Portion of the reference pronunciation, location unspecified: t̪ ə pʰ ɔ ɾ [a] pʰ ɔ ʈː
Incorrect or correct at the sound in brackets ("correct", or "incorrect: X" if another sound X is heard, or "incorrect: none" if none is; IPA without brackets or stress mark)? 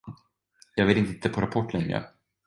correct